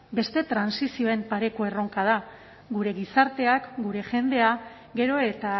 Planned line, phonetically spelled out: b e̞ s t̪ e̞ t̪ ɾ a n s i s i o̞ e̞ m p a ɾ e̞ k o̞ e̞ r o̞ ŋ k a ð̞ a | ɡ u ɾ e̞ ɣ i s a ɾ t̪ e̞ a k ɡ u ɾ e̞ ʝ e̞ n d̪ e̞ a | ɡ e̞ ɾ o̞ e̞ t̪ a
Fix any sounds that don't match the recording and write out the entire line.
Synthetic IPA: b e̞ s t̪ e̞ t̪ ɾ a n s i s i o̞ e̞ m p a ɾ e̞ k o̞ e̞ r o̞ ŋ k a ð̞ a | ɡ u ɾ e̞ ɣ i s a ɾ t̪ e̞ a k ɡ u ɾ e̞ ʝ e̞ n d̪ e̞ a | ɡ e̞ ɾ o̞ e̞ t̪ a